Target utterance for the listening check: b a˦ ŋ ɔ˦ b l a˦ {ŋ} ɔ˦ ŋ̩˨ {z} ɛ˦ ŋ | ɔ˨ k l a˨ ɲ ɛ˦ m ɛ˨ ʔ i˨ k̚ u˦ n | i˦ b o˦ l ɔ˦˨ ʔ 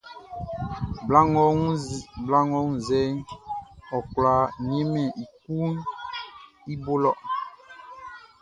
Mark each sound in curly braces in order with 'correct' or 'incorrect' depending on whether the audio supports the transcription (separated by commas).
correct, correct